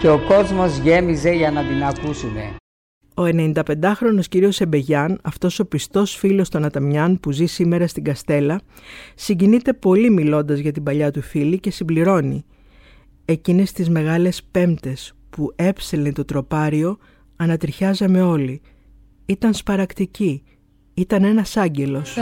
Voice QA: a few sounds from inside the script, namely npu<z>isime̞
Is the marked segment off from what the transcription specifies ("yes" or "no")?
no